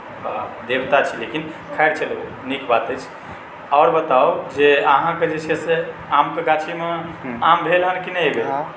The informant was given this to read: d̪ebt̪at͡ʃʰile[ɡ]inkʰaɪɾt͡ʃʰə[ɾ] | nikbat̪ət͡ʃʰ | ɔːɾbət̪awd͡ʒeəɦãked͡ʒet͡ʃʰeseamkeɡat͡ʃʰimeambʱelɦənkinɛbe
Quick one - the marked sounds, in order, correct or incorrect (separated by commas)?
incorrect, incorrect